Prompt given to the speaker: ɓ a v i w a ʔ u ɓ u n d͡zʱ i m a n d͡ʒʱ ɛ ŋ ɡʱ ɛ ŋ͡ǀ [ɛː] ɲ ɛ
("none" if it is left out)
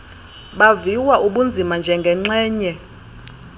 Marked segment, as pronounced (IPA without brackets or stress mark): ɛː